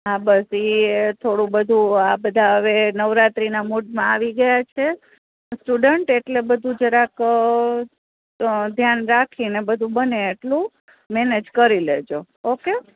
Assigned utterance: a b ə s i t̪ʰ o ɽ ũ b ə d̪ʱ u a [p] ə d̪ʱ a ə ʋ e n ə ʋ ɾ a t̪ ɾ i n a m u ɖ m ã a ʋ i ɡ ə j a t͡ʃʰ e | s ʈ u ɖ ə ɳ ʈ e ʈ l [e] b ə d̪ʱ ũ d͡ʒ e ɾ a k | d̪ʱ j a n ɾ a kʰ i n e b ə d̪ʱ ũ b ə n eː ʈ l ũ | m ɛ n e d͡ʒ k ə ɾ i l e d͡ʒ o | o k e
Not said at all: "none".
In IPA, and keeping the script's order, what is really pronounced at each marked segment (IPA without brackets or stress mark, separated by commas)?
b, e